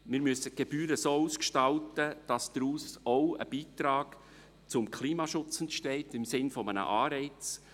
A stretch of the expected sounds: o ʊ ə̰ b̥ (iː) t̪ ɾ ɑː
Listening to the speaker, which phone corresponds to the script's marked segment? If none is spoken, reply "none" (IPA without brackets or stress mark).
iː